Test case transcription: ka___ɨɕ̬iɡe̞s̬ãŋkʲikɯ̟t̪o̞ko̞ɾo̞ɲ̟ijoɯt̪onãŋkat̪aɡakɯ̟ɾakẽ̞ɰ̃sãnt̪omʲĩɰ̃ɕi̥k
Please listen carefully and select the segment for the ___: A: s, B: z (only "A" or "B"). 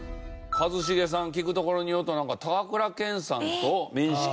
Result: B